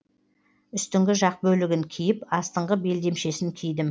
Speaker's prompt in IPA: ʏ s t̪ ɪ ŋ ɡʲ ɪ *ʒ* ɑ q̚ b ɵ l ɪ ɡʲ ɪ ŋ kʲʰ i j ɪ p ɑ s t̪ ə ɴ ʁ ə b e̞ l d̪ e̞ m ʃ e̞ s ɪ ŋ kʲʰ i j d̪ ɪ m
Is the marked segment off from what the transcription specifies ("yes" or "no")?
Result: no